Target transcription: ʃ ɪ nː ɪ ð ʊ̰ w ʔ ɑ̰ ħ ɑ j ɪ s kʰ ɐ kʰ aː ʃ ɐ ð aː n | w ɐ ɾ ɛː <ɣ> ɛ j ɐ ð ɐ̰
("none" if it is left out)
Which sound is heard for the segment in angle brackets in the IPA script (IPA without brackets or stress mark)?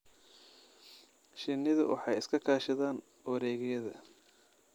ɣ